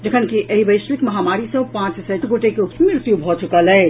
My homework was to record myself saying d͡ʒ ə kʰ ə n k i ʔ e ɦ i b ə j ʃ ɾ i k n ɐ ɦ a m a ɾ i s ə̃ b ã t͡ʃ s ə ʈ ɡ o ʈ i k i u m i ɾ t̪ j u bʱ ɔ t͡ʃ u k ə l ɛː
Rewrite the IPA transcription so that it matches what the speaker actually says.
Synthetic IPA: d͡ʒ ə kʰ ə n k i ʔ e ɦ i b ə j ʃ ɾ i k m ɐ ɦ a m a ɾ i s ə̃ p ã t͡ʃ s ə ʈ ɡ o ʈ e k e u m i ɾ t̪ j u bʱ ɔ t͡ʃ u k ə l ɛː